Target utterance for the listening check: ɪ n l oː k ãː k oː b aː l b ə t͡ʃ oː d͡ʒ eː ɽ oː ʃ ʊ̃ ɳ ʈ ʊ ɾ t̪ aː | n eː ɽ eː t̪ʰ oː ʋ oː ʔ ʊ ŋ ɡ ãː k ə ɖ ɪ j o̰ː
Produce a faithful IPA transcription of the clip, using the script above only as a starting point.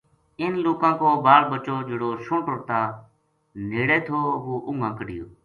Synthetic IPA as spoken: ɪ n l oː k ãː k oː b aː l b ə t͡ʃ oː d͡ʒ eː ɽ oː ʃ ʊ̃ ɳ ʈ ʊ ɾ t̪ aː | n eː ɽ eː t̪ʰ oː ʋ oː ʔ ʊ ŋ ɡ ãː k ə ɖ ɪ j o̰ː